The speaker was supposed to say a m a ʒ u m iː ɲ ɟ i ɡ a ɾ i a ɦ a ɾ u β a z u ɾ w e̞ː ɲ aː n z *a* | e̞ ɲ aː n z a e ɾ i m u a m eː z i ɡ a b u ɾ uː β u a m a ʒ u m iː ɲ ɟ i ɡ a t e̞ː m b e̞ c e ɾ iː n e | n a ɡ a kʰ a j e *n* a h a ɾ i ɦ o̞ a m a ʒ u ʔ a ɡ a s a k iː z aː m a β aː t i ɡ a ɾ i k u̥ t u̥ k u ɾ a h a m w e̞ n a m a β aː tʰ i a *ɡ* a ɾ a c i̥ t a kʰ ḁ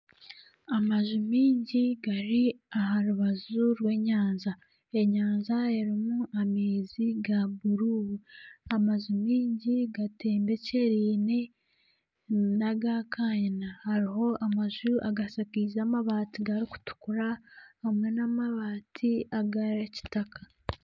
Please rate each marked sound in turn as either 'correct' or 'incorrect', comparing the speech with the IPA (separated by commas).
correct, correct, correct